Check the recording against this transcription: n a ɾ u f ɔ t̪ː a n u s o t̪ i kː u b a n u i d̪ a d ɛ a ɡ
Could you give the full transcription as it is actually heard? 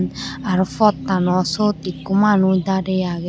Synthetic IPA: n a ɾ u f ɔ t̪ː a n ɔ s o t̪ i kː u m a n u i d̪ a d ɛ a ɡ